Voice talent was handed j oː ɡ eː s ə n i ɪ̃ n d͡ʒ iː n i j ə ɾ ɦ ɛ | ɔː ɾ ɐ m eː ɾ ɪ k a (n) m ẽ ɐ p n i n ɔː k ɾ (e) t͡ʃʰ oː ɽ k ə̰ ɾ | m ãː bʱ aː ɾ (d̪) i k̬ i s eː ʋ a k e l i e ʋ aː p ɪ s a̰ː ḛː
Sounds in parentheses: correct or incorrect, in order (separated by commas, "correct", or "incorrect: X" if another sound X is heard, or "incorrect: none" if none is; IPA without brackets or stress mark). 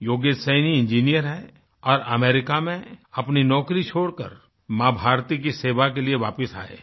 incorrect: none, incorrect: i, incorrect: t̪